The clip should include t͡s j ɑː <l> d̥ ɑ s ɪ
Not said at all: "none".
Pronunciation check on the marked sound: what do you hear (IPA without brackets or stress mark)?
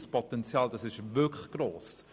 l